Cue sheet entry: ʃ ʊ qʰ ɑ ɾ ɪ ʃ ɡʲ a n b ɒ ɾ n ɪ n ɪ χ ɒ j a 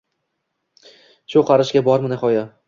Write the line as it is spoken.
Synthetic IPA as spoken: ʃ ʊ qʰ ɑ ɾ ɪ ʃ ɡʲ a b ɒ ɾ m ɪ n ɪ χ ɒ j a

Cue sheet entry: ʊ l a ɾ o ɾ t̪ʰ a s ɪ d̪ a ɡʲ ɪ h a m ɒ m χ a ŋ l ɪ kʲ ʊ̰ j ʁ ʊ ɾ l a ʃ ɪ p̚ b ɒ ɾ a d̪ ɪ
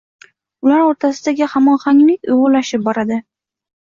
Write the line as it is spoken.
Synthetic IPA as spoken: ʊ l a ɾ o ɾ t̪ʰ a s ɪ d̪ a ɡʲ ɪ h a m ɒ n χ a ŋ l ɪ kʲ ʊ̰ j ʁ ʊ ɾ l a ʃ ɪ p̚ b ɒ ɾ a d̪ ɪ

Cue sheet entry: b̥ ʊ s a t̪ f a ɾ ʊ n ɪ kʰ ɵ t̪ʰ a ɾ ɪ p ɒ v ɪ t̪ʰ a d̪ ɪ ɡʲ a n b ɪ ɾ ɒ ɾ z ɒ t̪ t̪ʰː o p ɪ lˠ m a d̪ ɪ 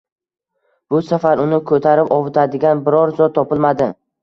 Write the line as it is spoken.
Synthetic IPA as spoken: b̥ ʊ s a f a ɾ ʊ n ɪ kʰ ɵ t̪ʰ a ɾ ɪ p ɒ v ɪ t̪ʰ a d̪ ɪ ɡʲ a n b ɪ ɾ ɒ ɾ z ɒ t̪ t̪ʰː ɒ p ɪ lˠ m a d̪ ɪ

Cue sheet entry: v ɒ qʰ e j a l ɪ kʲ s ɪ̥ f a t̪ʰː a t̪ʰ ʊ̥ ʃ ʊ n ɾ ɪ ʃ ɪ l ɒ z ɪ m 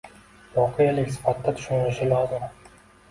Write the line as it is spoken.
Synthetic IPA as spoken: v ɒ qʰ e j a l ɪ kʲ s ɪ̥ f a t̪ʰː a t̪ʰ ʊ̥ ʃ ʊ n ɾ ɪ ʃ ɪ l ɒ z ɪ m

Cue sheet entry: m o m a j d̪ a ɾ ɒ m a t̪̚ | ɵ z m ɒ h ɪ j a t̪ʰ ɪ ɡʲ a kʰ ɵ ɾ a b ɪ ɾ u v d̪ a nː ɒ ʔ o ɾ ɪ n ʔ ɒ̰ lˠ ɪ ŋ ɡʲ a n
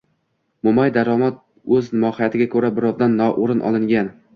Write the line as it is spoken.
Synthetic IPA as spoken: m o m a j d̪ a ɾ ɒ m a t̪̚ | ɵ z m ɒ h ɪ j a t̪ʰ ɪ ɡʲ a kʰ ɵ ɾ a b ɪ ɾ ɒ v d̪ a nː ɒ ʔ o ɾ ɪ n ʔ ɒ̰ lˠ ɪ ŋ ɡʲ a n

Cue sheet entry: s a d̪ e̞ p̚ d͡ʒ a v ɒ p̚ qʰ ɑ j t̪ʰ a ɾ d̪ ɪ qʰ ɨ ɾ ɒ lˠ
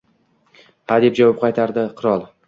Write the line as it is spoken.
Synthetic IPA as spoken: h a d̪ e̞ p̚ d͡ʒ a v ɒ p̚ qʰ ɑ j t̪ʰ a ɾ d̪ ɪ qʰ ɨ ɾ ɒ lˠ

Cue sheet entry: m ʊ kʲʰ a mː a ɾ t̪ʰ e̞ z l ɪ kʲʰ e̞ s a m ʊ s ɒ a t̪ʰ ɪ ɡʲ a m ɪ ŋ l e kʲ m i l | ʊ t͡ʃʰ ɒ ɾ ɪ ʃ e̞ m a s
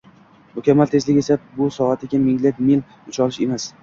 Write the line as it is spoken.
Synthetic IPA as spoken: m ʊ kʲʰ a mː a l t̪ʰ e̞ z l ɪ e̞ s a b ʊ s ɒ a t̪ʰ ɪ ɡʲ a m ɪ ŋ l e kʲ m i l | ʊ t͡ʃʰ ɒ l ɪ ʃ e̞ m a s

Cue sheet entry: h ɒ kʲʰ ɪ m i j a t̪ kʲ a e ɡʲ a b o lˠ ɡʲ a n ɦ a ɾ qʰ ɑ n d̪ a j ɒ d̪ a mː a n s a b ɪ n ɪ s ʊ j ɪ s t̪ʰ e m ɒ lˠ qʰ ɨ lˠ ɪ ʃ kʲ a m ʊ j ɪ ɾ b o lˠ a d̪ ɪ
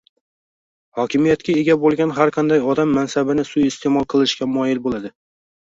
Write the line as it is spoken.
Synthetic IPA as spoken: h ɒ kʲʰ ɪ m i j a t̪ kʲ a e ɡʲ a b o lˠ ɡʲ a n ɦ a ɾ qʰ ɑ n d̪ a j ɒ d̪ a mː a n s a b ɪ n ɪ s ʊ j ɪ s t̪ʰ e m ɒ lˠ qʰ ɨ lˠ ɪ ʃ kʲ a m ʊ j ɪ l b o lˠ a d̪ ɪ

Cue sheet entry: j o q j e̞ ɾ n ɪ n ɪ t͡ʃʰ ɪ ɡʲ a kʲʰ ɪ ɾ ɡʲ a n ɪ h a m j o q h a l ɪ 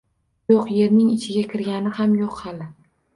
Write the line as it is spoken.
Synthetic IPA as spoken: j o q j e̞ ɾ n ɪ ŋ ɪ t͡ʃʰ ɪ ɡʲ a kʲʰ ɪ ɾ ɡʲ a n ɪ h a m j o q h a l ɪ

